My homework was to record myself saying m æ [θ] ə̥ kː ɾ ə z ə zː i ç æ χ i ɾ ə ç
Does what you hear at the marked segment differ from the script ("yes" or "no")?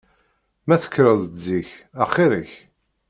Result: no